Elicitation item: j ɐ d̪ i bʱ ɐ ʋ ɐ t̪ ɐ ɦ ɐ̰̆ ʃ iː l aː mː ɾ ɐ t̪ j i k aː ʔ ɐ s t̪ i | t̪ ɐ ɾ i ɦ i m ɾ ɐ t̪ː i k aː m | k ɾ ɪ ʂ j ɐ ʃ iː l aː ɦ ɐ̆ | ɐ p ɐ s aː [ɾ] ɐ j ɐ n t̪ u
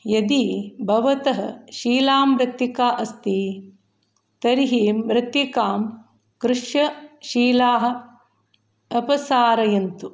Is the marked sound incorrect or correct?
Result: correct